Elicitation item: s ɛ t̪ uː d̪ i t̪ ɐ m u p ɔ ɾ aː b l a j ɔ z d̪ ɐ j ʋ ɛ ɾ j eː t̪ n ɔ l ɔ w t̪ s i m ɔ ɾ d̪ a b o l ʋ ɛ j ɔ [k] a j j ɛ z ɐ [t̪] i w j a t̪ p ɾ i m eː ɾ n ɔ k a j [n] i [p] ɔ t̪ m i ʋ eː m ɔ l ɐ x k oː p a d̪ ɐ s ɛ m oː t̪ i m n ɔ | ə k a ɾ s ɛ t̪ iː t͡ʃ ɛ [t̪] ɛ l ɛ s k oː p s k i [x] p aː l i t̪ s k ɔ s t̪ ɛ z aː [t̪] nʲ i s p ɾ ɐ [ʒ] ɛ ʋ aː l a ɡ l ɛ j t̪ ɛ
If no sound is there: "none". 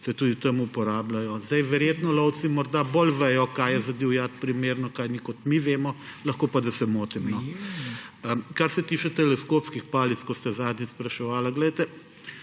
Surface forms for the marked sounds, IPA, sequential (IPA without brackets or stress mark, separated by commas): k, d̪, n, k, t̪, x, d̪, ʃ